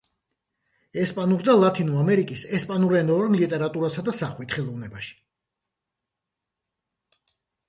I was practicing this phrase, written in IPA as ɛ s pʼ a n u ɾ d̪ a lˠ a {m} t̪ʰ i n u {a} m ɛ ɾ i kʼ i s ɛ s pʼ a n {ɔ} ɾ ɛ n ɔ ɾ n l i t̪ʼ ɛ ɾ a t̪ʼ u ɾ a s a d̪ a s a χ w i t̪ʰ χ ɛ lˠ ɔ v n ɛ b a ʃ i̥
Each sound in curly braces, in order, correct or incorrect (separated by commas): incorrect, correct, incorrect